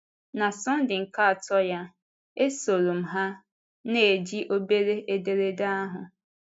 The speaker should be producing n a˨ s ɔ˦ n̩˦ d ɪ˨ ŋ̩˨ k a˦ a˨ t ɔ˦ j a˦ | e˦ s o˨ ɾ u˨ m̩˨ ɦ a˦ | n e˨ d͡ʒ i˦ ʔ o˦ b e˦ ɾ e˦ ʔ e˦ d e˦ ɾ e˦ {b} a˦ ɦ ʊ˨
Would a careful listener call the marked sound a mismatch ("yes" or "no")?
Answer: yes